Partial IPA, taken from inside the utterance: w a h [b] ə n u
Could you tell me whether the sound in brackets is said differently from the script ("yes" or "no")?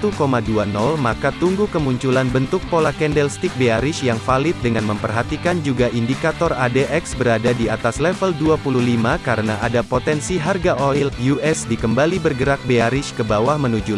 yes